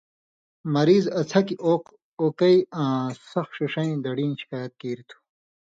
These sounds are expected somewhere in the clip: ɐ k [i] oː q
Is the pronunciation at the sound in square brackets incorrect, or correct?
correct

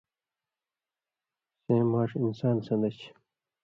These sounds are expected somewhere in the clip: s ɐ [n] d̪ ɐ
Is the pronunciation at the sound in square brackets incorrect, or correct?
correct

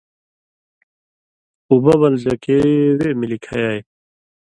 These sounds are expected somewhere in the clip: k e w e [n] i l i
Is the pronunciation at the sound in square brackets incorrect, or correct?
incorrect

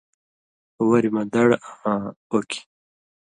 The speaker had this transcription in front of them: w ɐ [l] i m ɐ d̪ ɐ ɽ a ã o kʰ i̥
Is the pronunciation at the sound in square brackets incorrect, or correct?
incorrect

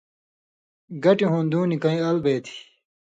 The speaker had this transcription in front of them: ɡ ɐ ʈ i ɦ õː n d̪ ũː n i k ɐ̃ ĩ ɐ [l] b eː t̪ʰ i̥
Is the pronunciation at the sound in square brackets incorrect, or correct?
correct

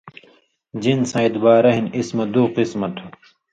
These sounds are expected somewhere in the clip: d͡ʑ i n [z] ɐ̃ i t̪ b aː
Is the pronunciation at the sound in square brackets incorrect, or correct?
incorrect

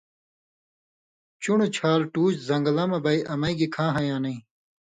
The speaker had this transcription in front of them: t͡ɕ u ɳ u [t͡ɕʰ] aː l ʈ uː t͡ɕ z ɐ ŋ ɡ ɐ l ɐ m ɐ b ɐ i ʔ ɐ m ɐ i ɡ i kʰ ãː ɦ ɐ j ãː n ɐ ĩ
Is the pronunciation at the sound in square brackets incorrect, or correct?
correct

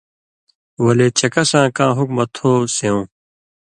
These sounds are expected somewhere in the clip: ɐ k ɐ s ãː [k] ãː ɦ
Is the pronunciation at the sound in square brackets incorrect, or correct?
correct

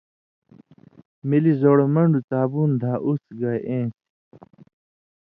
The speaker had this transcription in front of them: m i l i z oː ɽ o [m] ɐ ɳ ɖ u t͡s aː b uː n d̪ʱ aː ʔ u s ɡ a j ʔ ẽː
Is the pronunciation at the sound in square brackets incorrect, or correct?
correct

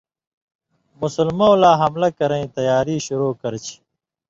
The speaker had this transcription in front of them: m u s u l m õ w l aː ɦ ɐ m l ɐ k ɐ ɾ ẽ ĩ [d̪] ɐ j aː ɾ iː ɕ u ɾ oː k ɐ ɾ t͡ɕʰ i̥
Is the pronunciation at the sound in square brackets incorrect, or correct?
incorrect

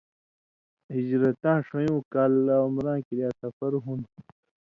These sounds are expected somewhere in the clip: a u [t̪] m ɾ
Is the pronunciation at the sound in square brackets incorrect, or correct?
incorrect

